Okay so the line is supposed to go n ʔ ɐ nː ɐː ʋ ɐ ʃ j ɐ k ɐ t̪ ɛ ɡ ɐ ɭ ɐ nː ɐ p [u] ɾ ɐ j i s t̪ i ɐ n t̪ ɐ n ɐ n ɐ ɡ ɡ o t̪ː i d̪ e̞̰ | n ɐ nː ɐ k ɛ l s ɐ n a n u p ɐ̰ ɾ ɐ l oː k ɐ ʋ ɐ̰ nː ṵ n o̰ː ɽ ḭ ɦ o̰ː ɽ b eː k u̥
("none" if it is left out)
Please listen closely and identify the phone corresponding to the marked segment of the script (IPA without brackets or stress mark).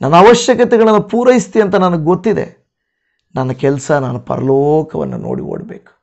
uː